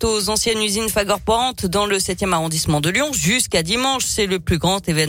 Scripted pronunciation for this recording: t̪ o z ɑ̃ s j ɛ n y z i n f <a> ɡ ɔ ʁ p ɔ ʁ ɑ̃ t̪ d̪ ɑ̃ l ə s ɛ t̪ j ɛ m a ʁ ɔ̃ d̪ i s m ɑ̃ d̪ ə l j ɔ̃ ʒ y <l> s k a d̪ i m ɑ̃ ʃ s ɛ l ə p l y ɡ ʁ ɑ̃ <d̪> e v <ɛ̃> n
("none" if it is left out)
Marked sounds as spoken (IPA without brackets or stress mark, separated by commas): a, none, t̪, ɛ